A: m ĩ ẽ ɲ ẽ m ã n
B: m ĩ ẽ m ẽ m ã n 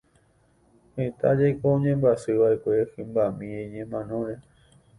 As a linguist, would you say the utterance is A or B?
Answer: A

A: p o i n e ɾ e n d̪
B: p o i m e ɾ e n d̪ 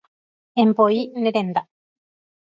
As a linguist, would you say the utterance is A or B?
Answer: A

